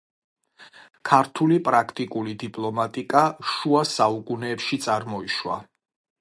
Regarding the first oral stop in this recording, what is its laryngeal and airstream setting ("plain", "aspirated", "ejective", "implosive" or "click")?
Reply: aspirated